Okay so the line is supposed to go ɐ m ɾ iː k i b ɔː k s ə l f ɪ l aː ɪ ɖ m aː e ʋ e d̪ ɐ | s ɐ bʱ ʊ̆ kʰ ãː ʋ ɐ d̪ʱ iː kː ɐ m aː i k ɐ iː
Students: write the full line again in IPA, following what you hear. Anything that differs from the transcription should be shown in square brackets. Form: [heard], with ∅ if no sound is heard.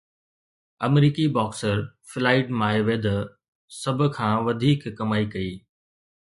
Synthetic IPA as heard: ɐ m ɾ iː k i b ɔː k s ə [ɾ] f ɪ l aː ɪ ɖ m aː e ʋ e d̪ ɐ | s ɐ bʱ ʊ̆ kʰ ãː ʋ ɐ d̪ʱ iː kː ɐ m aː i k ɐ iː